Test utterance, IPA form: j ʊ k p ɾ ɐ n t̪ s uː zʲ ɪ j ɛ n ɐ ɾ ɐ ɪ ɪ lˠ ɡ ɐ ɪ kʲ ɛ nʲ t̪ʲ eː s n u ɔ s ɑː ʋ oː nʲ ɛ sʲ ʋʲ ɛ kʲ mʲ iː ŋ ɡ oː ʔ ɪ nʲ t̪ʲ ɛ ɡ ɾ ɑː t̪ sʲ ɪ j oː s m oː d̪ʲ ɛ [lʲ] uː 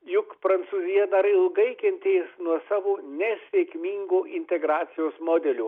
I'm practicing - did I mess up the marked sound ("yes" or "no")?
no